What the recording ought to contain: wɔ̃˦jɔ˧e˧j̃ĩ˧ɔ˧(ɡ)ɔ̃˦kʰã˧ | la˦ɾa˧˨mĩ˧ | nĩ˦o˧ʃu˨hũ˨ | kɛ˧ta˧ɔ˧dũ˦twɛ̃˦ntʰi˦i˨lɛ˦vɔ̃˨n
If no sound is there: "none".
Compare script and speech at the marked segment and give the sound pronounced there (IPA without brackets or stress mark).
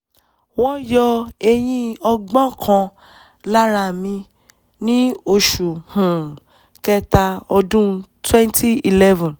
ɡ͡b